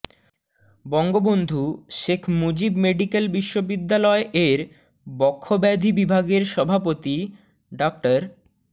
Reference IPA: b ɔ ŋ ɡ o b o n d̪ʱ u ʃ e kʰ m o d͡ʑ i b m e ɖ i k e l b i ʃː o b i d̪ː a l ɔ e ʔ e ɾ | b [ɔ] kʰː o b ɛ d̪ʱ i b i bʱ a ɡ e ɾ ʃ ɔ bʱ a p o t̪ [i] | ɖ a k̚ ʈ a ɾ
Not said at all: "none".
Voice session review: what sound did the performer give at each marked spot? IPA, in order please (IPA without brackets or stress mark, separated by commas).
ɔ, i